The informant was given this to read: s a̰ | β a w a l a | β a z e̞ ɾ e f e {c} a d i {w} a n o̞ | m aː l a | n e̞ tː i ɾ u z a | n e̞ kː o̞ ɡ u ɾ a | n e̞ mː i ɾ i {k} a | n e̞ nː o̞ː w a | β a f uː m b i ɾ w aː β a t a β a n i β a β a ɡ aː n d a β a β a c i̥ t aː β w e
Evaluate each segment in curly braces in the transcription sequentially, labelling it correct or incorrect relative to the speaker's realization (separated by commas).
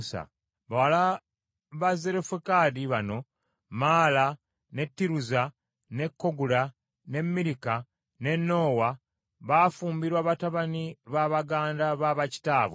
incorrect, incorrect, correct